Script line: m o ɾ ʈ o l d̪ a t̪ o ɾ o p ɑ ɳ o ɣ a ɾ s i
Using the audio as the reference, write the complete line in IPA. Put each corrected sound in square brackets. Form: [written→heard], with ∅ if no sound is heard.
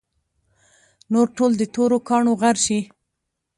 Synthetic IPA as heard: [m→n] o ɾ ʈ o l d̪ [a→ə] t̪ o ɾ o [p→k] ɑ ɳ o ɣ a ɾ [s→ʃ] i